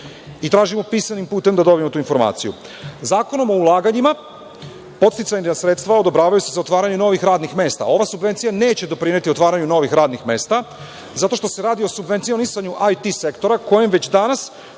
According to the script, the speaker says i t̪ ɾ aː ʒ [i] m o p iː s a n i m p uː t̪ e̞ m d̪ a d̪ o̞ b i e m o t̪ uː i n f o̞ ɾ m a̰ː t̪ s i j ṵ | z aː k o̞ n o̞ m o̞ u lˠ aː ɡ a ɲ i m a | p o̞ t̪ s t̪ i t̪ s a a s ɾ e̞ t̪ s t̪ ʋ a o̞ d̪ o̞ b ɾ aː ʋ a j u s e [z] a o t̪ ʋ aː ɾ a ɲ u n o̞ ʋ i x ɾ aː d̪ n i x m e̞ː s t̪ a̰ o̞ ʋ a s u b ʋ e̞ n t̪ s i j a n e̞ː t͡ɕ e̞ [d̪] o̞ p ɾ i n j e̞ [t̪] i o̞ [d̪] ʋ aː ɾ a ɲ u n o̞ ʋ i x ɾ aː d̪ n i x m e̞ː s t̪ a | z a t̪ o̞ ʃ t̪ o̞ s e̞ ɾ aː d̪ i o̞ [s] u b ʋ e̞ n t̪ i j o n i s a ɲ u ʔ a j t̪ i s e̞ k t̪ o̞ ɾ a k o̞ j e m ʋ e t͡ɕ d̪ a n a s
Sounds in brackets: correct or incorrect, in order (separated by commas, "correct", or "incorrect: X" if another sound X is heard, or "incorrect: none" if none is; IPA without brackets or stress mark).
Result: correct, correct, correct, correct, incorrect: t̪, correct